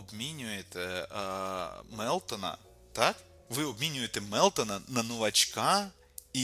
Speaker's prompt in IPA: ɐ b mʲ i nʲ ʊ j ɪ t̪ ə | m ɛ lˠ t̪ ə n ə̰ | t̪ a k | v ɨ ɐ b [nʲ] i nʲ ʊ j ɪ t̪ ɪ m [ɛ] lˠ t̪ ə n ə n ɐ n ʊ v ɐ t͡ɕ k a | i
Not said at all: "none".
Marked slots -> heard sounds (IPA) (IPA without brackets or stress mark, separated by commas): mʲ, ɛ